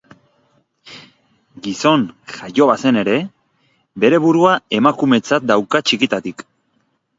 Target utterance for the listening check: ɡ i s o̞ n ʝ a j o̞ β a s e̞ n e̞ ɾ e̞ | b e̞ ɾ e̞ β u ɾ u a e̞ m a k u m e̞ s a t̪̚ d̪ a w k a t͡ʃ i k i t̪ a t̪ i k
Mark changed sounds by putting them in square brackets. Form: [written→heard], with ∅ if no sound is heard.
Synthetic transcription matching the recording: ɡ i s o̞ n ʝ a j o̞ β a s e̞ n e̞ ɾ e̞ | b e̞ ɾ e̞ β u ɾ u a e̞ m a k u m e̞ [s→t͡s] a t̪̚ d̪ a w k a t͡ʃ i k i t̪ a t̪ i k